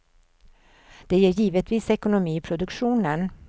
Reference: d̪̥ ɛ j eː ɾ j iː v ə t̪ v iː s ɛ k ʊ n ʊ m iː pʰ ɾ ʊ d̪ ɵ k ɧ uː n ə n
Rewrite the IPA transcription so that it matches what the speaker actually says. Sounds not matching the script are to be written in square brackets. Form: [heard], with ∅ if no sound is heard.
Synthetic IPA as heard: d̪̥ ɛ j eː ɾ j iː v ə t̪ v iː s ɛ k ʊ n ʊ m iː pʰ ɾ ʊ d̪ ɵ k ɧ uː n ə n